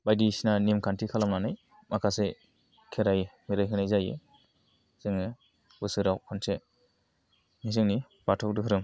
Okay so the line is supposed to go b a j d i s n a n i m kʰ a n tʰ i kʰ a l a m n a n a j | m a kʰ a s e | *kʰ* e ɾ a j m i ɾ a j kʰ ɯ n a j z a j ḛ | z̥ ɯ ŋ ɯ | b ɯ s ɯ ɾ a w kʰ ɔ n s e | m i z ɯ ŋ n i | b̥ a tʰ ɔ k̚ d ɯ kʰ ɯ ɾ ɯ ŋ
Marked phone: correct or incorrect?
correct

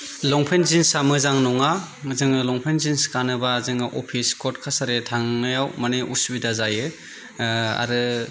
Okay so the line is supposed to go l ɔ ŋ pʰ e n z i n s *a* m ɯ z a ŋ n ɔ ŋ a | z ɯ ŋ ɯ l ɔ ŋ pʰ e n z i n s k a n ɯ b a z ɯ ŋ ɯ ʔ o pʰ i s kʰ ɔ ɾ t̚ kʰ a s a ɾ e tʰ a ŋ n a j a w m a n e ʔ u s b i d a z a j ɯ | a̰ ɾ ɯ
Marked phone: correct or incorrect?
correct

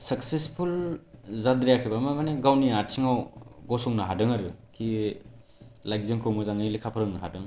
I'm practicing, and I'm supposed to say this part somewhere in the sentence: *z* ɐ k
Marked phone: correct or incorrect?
incorrect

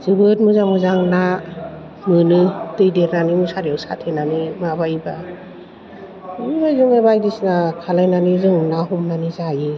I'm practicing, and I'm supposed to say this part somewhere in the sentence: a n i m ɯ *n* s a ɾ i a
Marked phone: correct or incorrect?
incorrect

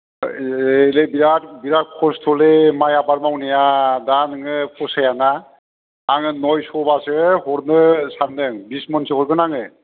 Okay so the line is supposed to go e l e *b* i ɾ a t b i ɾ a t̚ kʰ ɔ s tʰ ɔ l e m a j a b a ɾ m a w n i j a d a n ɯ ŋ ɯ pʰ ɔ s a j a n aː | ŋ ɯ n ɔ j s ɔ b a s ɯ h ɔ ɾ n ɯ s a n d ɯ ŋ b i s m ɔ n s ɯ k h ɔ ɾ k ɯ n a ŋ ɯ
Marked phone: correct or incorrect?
correct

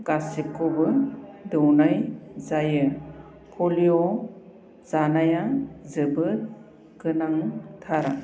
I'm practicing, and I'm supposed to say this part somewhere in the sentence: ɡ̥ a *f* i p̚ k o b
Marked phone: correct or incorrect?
incorrect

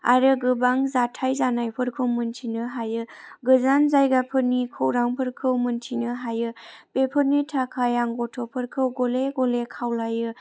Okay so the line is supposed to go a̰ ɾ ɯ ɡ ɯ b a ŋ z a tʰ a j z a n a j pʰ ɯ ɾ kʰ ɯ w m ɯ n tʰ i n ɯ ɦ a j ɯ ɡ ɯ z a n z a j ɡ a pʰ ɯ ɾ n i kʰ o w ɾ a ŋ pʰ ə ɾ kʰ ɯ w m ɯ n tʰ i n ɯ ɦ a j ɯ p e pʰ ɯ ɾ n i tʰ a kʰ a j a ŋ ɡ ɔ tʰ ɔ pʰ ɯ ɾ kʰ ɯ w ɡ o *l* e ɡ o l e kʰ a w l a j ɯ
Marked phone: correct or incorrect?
correct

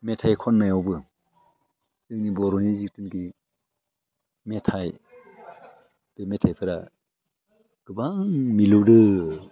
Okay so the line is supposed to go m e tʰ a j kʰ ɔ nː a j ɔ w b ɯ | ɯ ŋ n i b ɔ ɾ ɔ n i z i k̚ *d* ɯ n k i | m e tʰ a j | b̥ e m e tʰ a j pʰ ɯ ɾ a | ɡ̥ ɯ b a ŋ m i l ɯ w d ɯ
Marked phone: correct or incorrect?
incorrect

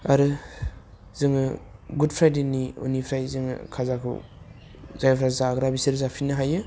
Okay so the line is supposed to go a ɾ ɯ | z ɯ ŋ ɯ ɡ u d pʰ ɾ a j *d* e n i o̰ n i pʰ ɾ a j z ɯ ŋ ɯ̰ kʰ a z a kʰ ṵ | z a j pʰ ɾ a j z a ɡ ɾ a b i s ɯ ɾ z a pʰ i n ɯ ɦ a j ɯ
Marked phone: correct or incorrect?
correct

